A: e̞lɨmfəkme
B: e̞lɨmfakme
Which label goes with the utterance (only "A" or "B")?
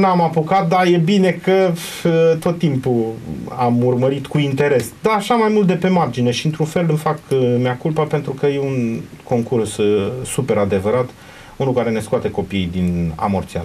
B